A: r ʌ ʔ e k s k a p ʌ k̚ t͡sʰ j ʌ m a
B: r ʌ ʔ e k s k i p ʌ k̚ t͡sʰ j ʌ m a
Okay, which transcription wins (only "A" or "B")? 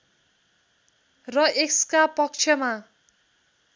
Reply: A